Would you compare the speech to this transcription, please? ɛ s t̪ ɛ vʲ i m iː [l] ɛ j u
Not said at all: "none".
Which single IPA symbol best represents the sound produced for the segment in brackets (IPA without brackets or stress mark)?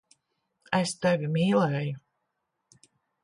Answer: l